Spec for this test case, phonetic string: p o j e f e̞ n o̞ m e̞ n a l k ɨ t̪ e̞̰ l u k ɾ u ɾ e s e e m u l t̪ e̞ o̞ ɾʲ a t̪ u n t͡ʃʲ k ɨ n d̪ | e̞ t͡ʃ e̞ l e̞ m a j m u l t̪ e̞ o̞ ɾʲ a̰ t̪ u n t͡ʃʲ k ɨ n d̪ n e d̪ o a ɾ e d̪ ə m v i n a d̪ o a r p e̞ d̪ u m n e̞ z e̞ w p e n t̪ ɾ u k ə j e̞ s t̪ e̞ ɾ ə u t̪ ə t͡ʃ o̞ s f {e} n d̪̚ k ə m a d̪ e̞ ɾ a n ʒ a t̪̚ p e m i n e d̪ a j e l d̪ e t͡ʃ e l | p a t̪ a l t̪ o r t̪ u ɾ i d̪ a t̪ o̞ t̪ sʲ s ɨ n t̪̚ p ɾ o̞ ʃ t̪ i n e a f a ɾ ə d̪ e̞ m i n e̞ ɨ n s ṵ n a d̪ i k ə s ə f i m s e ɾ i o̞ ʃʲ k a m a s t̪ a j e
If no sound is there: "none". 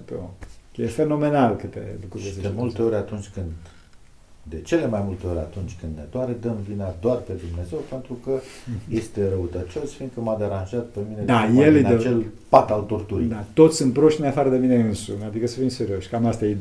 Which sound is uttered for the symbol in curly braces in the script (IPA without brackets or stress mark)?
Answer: i